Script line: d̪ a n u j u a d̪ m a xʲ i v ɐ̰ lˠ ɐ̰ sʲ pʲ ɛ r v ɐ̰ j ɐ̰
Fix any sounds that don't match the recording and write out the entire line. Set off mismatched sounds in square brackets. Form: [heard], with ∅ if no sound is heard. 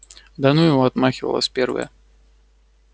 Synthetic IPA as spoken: d̪ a n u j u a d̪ m a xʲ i v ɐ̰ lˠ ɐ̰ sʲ pʲ ɛ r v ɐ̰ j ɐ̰